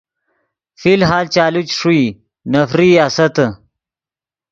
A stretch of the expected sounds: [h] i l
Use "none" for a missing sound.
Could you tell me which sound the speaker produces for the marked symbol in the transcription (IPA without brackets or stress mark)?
f